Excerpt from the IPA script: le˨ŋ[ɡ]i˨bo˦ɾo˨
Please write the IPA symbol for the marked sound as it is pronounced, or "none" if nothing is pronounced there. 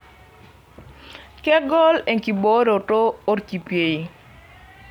k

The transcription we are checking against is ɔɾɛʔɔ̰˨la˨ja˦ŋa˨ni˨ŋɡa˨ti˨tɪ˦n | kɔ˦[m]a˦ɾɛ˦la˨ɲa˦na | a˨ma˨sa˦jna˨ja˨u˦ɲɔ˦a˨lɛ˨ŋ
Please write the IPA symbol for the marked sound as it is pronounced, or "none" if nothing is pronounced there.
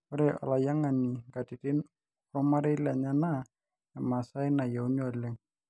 m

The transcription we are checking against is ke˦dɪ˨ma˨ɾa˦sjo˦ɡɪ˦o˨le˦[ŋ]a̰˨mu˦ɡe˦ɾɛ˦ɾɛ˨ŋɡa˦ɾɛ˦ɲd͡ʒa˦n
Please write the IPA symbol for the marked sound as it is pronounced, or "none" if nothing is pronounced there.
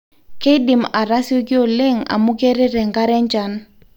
ŋ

